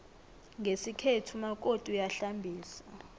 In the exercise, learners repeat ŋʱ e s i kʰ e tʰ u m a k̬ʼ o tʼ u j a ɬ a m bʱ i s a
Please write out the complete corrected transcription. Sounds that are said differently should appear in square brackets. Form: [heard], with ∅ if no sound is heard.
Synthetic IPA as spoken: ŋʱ e s i kʰ e tʰ u m a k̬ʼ o tʼ u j a ɬ a m bʱ [iː] s a

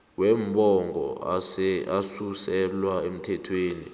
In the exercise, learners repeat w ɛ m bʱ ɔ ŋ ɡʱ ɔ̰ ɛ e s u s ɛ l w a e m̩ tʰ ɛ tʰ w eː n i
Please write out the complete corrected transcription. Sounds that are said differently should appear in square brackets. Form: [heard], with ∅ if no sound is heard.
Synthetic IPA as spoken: w ɛ m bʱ ɔ ŋ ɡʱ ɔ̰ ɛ [a] s u s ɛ l w a e m̩ tʰ ɛ tʰ w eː n i

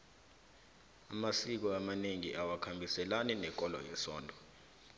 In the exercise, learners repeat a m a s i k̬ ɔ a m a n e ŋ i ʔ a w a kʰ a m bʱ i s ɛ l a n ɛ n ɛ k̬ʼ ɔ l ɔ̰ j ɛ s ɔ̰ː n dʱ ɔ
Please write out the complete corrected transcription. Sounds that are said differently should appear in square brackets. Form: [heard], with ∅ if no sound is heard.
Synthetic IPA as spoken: a m a s i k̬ ɔ a m a n e ŋ i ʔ a w a kʰ a m bʱ i s ɛ l a n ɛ n ɛ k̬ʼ ɔ l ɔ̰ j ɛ s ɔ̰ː n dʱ ɔ

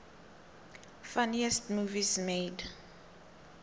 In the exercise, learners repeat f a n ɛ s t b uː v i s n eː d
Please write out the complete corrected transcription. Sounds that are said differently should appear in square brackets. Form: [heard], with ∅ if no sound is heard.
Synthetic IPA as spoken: f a n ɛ s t [m] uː v i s [m] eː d

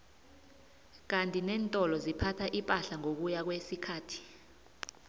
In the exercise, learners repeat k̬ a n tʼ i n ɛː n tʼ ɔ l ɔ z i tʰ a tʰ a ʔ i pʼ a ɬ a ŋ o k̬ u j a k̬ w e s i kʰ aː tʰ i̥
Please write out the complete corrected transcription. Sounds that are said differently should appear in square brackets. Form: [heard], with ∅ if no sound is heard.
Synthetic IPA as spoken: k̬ a n tʼ i n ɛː n tʼ ɔ l ɔ z i [pʰ] a tʰ a ʔ i pʼ a ɬ a ŋ o k̬ u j a k̬ w e s i kʰ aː tʰ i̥

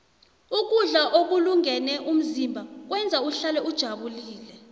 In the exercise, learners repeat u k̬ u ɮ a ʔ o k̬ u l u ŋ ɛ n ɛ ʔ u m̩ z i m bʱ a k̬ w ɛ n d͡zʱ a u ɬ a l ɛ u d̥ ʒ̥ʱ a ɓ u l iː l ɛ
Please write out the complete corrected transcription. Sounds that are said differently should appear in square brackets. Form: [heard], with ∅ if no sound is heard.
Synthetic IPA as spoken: u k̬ u ɮ a ʔ o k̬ u l u ŋ ɛ n ɛ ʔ u m̩ z i m bʱ a k̬ w ɛ n d͡zʱ a u ɬ a l ɛ u d̥ ʒ̥ʱ a ɓ u l iː l ɛ

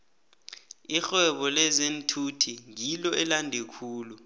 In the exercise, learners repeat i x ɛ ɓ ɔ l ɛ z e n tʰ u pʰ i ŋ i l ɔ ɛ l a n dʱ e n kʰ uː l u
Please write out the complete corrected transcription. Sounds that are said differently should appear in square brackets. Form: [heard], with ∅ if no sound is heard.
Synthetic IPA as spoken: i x ɛ ɓ ɔ l ɛ z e n tʰ u [tʰ] i ŋ i l ɔ ɛ l a n dʱ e [∅] kʰ uː l u

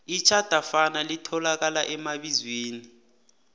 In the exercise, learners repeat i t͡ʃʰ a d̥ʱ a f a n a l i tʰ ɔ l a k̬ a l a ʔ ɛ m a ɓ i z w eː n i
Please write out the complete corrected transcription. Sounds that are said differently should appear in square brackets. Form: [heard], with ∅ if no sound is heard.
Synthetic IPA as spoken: i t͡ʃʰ a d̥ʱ a f a n a l i tʰ ɔ l a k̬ a l a ʔ ɛ m a ɓ i z w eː n i

